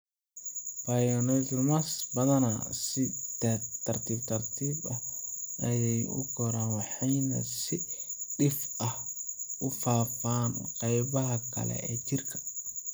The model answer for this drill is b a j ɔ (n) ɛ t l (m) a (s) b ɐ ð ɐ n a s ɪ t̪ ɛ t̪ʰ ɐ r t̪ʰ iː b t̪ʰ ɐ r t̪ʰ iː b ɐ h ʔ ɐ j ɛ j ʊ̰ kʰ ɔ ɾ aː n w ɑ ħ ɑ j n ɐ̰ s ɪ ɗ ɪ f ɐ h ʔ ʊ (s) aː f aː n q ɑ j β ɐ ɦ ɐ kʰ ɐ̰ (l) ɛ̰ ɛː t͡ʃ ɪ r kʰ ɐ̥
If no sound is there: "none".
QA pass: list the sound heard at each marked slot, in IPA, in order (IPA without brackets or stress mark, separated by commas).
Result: n, m, s, f, l